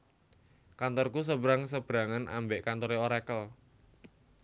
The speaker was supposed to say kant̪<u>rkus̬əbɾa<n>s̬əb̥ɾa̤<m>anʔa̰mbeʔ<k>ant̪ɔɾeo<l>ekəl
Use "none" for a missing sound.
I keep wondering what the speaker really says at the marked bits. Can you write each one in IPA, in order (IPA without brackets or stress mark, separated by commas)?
ɔ, ŋ, ŋ, k, ɾ